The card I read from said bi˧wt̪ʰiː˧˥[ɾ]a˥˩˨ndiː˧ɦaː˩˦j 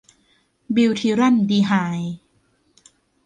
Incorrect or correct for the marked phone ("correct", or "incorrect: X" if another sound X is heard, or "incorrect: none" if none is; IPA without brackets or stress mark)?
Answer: correct